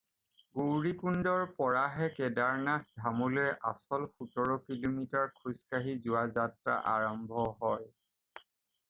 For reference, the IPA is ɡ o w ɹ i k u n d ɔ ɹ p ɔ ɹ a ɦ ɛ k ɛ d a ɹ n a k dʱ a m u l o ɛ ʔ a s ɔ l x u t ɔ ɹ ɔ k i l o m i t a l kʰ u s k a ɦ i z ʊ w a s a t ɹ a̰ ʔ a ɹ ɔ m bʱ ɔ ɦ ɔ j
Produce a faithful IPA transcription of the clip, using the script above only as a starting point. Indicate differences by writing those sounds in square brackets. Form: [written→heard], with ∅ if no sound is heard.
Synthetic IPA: ɡ o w ɹ i k u n d ɔ ɹ p ɔ ɹ a ɦ ɛ k ɛ d a ɹ n a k dʱ a m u l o ɛ ʔ a s ɔ l x u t ɔ ɹ ɔ k i l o m i t a [l→ɹ] kʰ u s k a ɦ i z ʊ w a [s→z] a t ɹ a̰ ʔ a ɹ ɔ m bʱ ɔ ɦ ɔ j

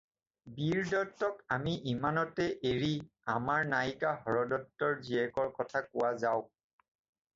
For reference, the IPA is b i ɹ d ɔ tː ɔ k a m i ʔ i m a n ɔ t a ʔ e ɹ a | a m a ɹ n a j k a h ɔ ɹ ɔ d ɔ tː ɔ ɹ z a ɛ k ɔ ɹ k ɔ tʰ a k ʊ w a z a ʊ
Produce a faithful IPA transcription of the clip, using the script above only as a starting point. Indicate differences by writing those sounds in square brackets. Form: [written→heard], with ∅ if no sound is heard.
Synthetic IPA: b i ɹ d ɔ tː ɔ k a m i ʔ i m a n ɔ t [a→ɛ] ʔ e ɹ [a→i] | a m a ɹ n a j k a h ɔ ɹ ɔ d ɔ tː ɔ ɹ z [a→i] ɛ k ɔ ɹ k ɔ tʰ a k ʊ w a z a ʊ

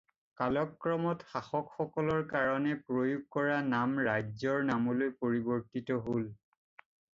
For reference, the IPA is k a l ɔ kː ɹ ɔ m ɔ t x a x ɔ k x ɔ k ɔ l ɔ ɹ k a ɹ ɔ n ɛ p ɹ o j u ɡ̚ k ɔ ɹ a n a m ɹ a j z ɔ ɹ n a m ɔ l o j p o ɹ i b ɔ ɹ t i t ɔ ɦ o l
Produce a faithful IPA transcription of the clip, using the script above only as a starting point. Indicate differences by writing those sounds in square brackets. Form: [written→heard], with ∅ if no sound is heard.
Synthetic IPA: k a l ɔ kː ɹ ɔ m ɔ t x a x ɔ k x ɔ k ɔ l ɔ ɹ k a ɹ ɔ n ɛ p ɹ o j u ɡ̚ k ɔ ɹ a n a m ɹ a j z ɔ ɹ n a m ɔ l o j p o ɹ i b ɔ ɹ t i t ɔ ɦ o l

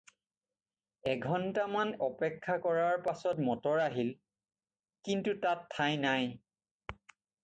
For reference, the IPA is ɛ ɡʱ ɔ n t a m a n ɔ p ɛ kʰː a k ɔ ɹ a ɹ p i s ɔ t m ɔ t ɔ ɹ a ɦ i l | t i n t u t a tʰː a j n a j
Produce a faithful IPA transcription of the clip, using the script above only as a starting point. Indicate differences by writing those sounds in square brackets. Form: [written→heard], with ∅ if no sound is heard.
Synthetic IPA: ɛ ɡʱ ɔ n t a m a n ɔ p ɛ kʰː a k ɔ ɹ a ɹ p [i→a] s ɔ t m ɔ t ɔ ɹ a ɦ i l | [t→k] i n t u t a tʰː a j n a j

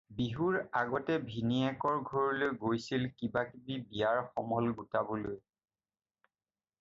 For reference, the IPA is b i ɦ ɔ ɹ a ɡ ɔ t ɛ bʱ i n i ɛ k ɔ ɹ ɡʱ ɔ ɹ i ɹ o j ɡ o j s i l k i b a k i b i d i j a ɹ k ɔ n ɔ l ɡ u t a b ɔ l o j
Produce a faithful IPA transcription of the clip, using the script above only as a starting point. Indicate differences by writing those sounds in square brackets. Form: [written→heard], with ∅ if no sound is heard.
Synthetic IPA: b i ɦ [ɔ→u] ɹ a ɡ ɔ t ɛ bʱ i n i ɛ k ɔ ɹ ɡʱ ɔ ɹ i [ɹ→l] o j ɡ o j s i l k i b a k i b i [d→b] i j a ɹ [k→x] ɔ [n→m] ɔ l ɡ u t a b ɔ l o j

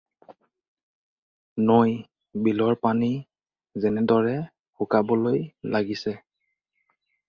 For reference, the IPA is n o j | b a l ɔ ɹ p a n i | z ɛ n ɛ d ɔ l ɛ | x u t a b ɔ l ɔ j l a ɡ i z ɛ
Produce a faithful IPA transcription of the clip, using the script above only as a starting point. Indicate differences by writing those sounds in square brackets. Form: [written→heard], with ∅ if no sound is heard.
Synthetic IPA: n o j | b [a→i] l ɔ ɹ p a n i | z ɛ n ɛ d ɔ [l→ɹ] ɛ | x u [t→k] a b ɔ l [ɔ→o] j l a ɡ i [z→s] ɛ

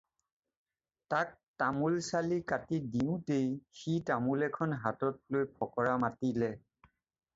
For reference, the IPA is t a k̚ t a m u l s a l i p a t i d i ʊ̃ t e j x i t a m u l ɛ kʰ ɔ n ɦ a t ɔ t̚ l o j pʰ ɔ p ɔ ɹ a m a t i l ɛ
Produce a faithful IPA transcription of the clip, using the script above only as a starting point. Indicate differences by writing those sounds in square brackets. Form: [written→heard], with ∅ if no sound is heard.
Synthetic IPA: t a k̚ t a m u l s a l i [p→k] a t i d i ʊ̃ t e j x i t a m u l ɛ kʰ ɔ n ɦ a t ɔ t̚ l o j pʰ ɔ [p→k] ɔ ɹ a m a t i l ɛ

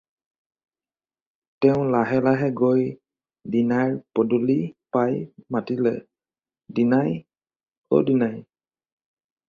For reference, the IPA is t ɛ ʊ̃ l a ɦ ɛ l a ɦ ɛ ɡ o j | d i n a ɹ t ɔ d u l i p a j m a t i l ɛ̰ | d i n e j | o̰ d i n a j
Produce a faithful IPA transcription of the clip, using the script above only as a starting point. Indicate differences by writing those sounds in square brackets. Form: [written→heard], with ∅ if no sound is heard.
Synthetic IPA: t ɛ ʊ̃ l a ɦ ɛ l a ɦ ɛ ɡ o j | d i n a ɹ [t→p] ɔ d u l i p a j m a t i l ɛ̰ | d i n [e→a] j | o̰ d i n a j

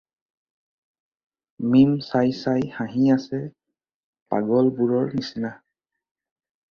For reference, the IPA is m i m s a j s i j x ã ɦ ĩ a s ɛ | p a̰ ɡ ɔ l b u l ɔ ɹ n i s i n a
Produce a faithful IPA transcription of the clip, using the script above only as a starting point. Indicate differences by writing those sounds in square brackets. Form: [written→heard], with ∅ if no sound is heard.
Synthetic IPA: m i m s a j s [i→a] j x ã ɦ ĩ a s ɛ | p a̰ ɡ ɔ l b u [l→ɹ] ɔ ɹ n i s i n a

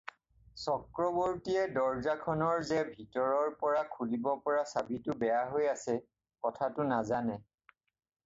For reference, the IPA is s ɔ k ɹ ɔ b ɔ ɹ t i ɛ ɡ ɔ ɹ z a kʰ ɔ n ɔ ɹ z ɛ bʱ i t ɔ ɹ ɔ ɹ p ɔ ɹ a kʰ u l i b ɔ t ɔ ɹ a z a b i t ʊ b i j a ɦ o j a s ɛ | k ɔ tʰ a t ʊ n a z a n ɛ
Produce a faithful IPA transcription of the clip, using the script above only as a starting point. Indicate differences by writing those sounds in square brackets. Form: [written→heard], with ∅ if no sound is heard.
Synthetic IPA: s ɔ k ɹ ɔ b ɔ ɹ t i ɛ [ɡ→d] ɔ ɹ z a kʰ ɔ n ɔ ɹ z ɛ bʱ i t ɔ ɹ ɔ ɹ p ɔ ɹ a kʰ u l i b ɔ [t→p] ɔ ɹ a [z→s] a b i t ʊ b [i→ɛ] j a ɦ o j a s ɛ | k ɔ tʰ a t ʊ n a z a n ɛ

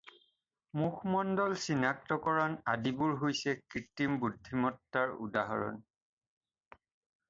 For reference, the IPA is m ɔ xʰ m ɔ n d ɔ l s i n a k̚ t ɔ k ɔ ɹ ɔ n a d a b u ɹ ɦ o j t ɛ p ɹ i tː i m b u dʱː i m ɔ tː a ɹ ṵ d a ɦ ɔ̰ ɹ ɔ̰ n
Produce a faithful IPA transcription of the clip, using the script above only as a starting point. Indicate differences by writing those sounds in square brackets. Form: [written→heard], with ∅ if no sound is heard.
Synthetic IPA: m [ɔ→u] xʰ m ɔ n d ɔ l s i n a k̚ t ɔ k ɔ ɹ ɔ n a d [a→i] b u ɹ ɦ o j [t→s] ɛ [p→k] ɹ i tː i m b u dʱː i m ɔ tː a ɹ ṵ d a ɦ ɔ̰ ɹ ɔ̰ n

